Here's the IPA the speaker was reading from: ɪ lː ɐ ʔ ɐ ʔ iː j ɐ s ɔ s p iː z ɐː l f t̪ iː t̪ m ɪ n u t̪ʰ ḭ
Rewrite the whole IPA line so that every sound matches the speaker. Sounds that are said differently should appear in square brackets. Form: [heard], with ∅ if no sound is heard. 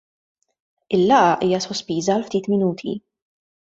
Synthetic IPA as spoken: ɪ lː ɐ ʔ ɐ ʔ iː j ɐ s ɔ s p iː z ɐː l f t̪ iː t̪ m ɪ n [uː] t̪ʰ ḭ